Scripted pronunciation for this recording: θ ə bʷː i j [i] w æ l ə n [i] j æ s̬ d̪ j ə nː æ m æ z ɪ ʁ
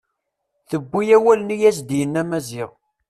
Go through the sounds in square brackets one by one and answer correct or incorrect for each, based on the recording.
incorrect, correct

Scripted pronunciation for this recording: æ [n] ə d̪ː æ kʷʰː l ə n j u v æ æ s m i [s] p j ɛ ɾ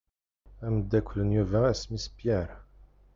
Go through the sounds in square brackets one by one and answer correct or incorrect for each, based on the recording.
incorrect, correct

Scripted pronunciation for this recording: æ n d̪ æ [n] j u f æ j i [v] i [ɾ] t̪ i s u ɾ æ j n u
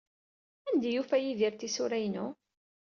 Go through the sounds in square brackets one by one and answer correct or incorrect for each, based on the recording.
incorrect, incorrect, correct

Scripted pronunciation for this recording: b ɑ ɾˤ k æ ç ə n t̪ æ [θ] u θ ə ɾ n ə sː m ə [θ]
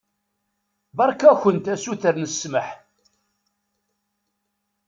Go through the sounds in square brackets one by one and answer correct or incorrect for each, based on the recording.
incorrect, incorrect

